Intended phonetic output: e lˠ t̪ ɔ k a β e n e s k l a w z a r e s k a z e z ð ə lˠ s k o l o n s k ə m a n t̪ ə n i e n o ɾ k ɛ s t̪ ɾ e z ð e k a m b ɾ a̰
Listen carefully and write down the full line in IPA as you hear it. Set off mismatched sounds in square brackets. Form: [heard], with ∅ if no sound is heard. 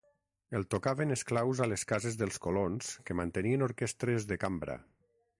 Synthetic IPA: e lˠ t̪ [o] k a β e n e s k l a w z a [l] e s k a z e z ð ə lˠ s k o l o n s k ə m a n t̪ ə n i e n o ɾ k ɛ s t̪ ɾ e z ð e k a m b ɾ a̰